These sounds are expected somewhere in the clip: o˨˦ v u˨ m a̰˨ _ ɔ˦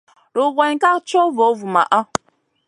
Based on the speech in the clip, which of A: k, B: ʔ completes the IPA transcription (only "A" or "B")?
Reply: B